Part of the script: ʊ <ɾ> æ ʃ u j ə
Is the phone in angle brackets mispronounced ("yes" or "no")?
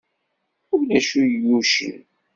yes